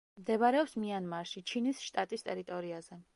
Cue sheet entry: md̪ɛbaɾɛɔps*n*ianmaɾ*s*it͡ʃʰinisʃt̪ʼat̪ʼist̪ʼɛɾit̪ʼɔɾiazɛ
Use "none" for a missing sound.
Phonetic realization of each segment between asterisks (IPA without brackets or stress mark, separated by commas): m, ʃ